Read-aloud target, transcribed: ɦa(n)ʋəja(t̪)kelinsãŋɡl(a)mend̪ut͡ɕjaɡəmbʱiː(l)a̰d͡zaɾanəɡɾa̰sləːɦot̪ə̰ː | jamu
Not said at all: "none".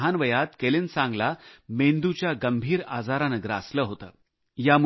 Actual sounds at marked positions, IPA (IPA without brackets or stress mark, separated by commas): n, t̪, a, ɾ